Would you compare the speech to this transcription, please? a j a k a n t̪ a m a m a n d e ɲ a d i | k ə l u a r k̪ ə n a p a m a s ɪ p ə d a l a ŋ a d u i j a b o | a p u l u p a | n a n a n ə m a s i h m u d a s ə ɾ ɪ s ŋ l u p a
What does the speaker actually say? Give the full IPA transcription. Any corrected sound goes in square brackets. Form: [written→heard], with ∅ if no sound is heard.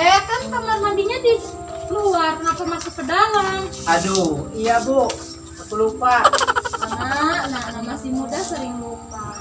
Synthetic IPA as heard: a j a k a n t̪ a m a m a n d [e→i] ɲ a d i | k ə l u a r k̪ ə n a p a m a s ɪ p ə d a l a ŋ a d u i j a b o | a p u l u p a | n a n a n [ə→a] m a s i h m u d a s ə ɾ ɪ [s→∅] ŋ l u p a

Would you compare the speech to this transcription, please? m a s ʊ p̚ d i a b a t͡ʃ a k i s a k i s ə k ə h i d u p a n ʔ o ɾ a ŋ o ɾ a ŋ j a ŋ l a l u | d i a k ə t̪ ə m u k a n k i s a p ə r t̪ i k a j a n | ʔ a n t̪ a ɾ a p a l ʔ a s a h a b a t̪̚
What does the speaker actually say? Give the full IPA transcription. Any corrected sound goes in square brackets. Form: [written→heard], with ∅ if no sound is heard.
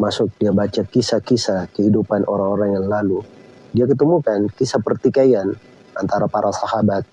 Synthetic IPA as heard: m a s ʊ [p̚→k̚] d i a b a t͡ʃ a k i s a k i s [ə→a] k ə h i d u p a n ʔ o ɾ a ŋ o ɾ a ŋ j a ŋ l a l u | d i a k ə t̪ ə m u k a n k i s a p ə r t̪ i k a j a n | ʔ a n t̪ a ɾ a p a [l→ɾ] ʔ a s a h a b a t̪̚

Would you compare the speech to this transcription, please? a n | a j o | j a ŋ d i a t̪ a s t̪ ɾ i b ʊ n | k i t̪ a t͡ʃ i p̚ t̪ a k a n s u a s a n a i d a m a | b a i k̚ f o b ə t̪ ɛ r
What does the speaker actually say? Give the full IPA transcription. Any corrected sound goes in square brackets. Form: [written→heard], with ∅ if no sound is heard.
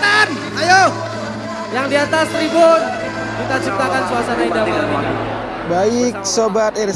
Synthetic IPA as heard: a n | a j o | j a ŋ d i a t̪ a s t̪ ɾ i b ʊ n | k i t̪ a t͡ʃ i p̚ t̪ a k a n s u a s a n a i d a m a | b a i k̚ [f→s] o b [ə→a] t̪ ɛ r

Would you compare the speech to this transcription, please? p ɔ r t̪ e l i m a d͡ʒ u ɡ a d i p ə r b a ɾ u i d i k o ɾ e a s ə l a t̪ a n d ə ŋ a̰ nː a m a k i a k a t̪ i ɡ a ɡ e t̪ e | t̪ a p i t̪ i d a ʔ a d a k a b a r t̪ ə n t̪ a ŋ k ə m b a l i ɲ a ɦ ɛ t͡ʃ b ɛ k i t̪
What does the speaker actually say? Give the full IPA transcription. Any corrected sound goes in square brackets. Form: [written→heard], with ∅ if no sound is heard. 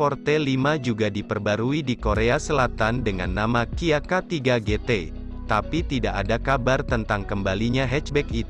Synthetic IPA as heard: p ɔ r t̪ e l i m a d͡ʒ u ɡ a d i p ə r b a ɾ u i d i k o ɾ e a s ə l a t̪ a n d ə ŋ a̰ nː a m a k i a k a t̪ i ɡ a ɡ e t̪ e | t̪ a p i t̪ i d a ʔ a d a k a b a r t̪ ə n t̪ a ŋ k ə m b a l i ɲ a ɦ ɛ t͡ʃ b ɛ k i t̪

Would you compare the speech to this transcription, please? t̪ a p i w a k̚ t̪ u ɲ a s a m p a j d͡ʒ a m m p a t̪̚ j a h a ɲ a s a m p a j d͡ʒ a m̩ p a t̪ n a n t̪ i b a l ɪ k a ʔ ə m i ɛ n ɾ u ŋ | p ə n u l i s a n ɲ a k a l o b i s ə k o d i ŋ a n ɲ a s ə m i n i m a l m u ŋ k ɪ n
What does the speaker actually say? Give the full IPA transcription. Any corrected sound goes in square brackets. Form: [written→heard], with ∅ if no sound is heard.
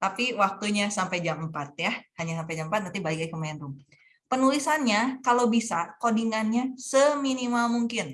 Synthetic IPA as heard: t̪ a p i w a k̚ t̪ u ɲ a s a m p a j d͡ʒ a m m p a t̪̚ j a h a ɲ a s a m p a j d͡ʒ a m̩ p a t̪ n a n t̪ i b a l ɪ k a [ʔ→k] ə m [i→a] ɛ n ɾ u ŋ | p ə n u l i s a n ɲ a k a l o b i s [ə→a] k o d i ŋ a n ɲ a s ə m i n i m a l m u ŋ k ɪ n

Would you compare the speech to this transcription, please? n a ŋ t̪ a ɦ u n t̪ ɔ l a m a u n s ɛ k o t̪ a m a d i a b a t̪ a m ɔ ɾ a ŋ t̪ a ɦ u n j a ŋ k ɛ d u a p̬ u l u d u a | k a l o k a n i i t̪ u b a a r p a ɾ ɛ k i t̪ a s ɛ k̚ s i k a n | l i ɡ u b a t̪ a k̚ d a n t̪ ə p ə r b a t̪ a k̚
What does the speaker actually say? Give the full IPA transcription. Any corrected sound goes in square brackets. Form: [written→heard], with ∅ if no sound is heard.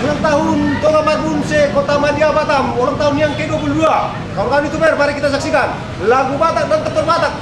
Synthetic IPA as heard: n a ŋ t̪ a ɦ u n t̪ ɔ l a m a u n s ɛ k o t̪ a m a d i a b a t̪ a m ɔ ɾ a ŋ t̪ a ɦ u n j a ŋ k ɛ d u a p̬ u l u d u a | k a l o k a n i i t̪ u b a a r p a ɾ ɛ k i t̪ a s [ɛ→a] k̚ s i k a n | l [i→a] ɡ u b a t̪ a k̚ d a n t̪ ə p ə r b a t̪ a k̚

